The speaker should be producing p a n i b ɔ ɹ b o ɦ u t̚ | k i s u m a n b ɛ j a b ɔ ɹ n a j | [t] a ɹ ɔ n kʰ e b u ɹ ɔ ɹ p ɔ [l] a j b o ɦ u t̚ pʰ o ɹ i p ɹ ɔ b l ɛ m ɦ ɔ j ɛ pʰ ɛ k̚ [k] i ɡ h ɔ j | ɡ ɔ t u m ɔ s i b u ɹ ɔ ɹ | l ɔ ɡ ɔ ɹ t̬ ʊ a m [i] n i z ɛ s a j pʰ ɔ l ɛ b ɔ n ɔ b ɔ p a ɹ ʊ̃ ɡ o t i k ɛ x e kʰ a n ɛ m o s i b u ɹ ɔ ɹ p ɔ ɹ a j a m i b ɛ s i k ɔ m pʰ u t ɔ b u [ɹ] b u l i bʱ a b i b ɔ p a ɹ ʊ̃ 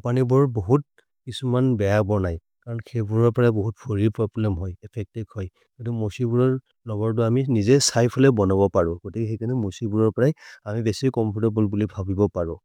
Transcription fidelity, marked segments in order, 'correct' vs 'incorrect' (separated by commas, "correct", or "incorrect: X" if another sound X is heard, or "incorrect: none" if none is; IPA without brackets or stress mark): incorrect: k, incorrect: ɹ, incorrect: t, correct, incorrect: l